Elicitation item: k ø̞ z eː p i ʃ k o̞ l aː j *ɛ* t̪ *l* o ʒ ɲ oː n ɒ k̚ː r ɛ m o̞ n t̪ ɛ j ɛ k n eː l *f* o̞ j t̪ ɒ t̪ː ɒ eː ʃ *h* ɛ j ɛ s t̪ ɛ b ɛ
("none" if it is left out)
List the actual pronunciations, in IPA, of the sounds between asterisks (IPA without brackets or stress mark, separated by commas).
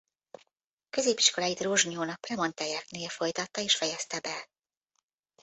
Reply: i, r, f, f